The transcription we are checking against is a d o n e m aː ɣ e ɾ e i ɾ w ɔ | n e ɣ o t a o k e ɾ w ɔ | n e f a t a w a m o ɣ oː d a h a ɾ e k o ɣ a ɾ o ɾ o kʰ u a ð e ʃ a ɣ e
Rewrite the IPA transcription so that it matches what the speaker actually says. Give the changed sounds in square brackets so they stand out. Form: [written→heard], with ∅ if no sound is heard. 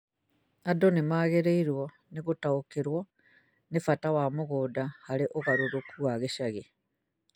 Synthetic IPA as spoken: a d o n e m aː ɣ e ɾ e i ɾ w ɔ | n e ɣ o t a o k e ɾ w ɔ | n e f a t a w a m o ɣ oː d a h a ɾ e [k→ʔ] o ɣ a ɾ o ɾ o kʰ u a [ð→ɣ] e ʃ a ɣ e

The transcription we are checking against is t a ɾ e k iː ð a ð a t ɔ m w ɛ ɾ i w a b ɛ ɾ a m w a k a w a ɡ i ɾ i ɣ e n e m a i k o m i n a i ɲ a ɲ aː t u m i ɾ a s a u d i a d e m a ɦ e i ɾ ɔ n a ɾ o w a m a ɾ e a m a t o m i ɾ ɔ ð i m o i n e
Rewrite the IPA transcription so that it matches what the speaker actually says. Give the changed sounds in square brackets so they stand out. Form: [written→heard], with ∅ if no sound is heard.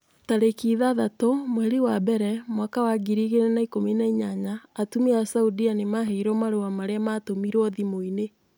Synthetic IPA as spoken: t a ɾ e k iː ð a ð a t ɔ m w ɛ ɾ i w a b ɛ ɾ [a→ɛ] m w a k a w a ɡ i ɾ i ɣ e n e [m→n] a i k o m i n a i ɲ a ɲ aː t u m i [ɾ→∅] a s a u d i a [d→n] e m a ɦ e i ɾ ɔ [n→m] a ɾ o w a m a ɾ e a m a t o m i ɾ ɔ ð i m o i n e

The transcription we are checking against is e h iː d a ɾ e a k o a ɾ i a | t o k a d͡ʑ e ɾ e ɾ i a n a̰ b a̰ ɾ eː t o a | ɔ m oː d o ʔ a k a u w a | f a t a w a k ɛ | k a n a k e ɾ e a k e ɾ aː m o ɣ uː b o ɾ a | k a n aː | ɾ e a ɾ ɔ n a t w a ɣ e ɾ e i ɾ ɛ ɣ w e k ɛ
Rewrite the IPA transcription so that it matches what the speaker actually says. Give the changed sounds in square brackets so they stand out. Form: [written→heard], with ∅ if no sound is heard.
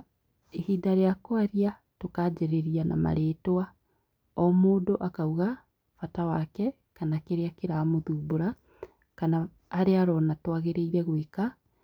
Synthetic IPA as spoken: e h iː d a ɾ e a k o a ɾ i a | t o k a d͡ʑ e ɾ e ɾ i a n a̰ [b→m] a̰ ɾ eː t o a | ɔ m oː d o ʔ a k a u [w→ɣ] a | f a t a w a k ɛ | k a n a k e ɾ e a k e ɾ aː m o [ɣ→ð] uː b o ɾ a | k a n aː | ɾ e a ɾ ɔ n a t w a ɣ e ɾ e i ɾ ɛ ɣ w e k [ɛ→a]

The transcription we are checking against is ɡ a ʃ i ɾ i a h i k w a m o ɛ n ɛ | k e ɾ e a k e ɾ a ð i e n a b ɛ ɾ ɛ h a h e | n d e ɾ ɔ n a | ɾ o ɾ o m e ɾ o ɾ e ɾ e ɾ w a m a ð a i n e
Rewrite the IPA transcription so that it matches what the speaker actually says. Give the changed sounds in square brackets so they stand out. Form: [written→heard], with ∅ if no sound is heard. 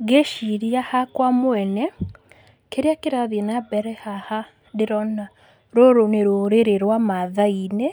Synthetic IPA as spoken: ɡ [a→e] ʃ i ɾ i a h [i→a] k w a m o ɛ n ɛ | k e ɾ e a k e ɾ a ð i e n a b ɛ ɾ ɛ h a h [e→a] | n d e ɾ ɔ n a | ɾ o ɾ o [m→n] e ɾ o ɾ e ɾ e ɾ w a m a ð a i n e

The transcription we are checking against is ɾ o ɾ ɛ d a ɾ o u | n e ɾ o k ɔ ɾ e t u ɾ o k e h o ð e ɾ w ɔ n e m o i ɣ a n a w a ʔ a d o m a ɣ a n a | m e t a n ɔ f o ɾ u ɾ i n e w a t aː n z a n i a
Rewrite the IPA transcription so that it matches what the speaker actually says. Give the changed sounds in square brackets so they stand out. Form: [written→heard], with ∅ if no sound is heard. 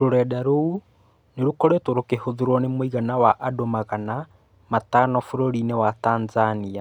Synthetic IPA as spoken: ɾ o ɾ ɛ d a ɾ o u | n e ɾ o k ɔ ɾ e t [u→o] ɾ o k e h o ð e ɾ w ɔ n e m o i ɣ a n a w a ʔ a d o m a ɣ a n a | m [e→a] t a n ɔ f o ɾ [u→o] ɾ i n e w a t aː n z a n i a

